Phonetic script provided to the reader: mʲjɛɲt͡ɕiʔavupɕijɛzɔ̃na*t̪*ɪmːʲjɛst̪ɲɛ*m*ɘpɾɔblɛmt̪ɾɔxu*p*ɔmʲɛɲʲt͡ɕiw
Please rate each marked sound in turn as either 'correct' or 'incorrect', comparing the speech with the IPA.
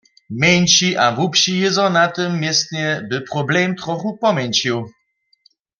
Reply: correct, incorrect: b, correct

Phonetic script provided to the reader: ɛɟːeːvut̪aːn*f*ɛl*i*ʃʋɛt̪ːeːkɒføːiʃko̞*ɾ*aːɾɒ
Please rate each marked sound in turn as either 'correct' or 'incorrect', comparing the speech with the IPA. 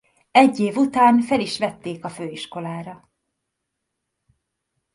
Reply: correct, correct, incorrect: l

